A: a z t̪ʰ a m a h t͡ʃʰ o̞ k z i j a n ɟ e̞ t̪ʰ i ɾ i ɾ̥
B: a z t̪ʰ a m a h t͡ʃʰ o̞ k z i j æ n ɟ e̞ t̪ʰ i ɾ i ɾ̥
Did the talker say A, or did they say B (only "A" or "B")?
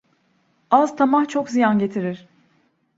A